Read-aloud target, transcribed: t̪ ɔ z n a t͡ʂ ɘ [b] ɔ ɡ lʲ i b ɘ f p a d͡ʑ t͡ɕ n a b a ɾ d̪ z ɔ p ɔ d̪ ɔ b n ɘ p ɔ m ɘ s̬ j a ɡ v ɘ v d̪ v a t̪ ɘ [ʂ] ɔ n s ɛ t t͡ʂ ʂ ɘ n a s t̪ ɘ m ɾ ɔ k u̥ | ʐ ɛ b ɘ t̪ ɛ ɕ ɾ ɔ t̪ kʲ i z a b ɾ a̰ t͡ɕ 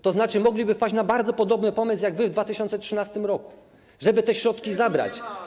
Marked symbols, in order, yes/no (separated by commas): no, no